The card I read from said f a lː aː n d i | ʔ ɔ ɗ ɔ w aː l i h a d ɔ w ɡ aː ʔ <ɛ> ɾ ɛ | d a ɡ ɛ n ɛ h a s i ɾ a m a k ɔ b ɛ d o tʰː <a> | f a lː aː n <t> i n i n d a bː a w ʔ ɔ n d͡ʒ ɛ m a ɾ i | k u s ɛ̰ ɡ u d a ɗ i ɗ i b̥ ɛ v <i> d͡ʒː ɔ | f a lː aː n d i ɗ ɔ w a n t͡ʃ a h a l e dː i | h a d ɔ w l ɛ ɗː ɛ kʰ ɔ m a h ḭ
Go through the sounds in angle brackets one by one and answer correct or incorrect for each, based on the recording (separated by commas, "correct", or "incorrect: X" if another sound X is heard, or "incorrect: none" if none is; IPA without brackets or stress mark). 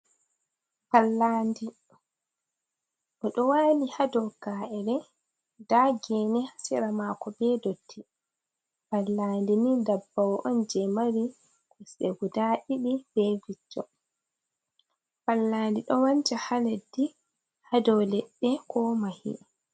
correct, incorrect: i, incorrect: d, correct